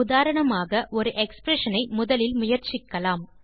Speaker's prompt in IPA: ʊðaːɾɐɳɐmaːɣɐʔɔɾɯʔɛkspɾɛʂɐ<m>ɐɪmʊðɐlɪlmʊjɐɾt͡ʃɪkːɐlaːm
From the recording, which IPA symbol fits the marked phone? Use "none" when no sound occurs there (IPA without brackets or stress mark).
n